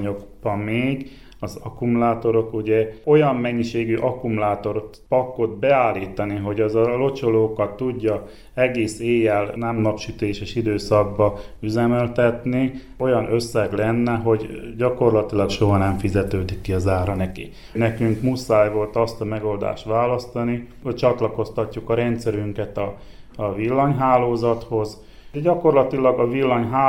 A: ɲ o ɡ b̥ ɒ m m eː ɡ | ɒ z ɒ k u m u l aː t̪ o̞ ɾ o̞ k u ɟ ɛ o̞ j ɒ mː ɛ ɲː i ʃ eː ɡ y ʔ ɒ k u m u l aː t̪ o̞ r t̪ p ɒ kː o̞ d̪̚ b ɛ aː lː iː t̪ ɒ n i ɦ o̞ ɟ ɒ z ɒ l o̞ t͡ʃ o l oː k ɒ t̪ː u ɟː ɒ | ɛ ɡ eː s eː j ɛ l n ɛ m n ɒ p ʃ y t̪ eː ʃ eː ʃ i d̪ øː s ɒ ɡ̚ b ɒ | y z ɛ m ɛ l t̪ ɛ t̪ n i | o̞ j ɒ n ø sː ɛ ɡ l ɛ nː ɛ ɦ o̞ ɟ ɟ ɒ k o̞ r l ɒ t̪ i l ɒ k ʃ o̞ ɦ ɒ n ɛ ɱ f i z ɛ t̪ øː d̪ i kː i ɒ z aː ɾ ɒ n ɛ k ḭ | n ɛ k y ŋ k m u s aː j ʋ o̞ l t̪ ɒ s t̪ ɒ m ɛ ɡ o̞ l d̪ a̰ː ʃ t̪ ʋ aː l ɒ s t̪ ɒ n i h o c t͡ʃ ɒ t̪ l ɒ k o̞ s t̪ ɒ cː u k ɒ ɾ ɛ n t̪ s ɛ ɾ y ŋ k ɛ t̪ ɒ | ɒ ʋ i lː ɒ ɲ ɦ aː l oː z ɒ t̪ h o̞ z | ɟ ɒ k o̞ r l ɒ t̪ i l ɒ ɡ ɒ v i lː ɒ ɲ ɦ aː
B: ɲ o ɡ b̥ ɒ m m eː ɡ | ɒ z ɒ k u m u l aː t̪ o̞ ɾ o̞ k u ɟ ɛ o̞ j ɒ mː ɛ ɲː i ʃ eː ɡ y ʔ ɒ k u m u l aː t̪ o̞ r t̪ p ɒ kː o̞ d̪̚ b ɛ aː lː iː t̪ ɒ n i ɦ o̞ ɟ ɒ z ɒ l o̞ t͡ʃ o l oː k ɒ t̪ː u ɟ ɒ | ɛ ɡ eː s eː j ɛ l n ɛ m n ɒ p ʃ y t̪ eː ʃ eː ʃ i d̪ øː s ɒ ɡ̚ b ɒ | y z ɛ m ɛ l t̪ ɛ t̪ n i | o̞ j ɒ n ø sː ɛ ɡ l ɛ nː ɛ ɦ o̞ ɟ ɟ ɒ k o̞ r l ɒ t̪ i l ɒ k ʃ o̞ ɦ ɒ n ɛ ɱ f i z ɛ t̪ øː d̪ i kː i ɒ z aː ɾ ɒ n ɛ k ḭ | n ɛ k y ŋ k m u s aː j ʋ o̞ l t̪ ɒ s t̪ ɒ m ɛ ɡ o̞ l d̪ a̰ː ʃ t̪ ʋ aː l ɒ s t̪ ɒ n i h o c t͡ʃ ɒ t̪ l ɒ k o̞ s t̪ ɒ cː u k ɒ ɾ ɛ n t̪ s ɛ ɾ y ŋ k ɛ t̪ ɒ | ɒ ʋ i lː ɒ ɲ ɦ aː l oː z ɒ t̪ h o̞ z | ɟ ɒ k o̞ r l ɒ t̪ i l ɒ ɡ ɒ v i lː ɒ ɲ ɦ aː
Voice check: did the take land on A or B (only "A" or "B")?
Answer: A